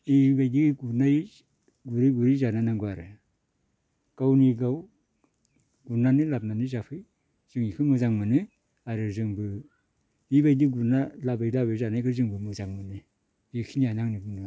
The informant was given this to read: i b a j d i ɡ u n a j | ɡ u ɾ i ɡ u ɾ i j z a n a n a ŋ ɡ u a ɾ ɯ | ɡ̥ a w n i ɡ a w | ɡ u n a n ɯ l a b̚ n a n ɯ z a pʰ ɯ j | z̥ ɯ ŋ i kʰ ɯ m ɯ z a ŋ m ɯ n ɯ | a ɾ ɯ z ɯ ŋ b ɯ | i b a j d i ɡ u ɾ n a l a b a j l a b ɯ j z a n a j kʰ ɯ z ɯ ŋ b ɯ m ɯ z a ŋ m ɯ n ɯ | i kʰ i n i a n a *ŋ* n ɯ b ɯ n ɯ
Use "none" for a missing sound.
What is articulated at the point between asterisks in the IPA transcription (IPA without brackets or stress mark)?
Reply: ŋ